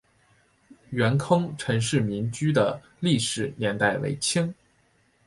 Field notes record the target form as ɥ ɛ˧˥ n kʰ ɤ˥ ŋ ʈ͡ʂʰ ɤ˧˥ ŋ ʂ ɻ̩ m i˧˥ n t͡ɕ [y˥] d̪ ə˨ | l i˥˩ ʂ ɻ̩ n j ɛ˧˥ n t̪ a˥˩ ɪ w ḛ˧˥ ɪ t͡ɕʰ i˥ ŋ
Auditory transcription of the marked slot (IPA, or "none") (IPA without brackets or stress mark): y˥